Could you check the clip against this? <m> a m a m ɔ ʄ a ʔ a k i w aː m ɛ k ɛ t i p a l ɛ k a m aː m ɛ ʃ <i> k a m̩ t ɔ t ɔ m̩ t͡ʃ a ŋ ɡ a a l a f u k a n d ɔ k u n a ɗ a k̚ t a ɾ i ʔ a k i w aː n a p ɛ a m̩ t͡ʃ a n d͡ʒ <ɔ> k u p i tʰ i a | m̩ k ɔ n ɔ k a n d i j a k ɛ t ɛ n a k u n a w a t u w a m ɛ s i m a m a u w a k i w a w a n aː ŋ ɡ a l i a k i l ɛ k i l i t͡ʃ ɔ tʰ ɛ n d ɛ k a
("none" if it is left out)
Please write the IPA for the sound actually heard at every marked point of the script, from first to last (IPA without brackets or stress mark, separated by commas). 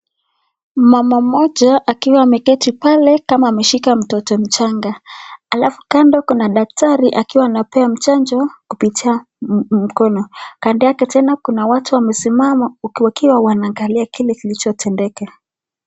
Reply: m, i, ɔ